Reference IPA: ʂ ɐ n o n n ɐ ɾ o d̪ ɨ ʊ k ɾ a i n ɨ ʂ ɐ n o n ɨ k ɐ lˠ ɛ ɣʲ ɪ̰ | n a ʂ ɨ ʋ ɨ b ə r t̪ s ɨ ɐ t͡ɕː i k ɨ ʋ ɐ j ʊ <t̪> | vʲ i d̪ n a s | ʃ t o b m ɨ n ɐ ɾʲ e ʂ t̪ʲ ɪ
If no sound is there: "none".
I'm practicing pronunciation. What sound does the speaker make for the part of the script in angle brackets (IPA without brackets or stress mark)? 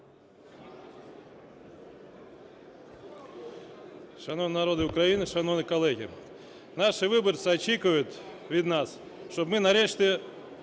t̪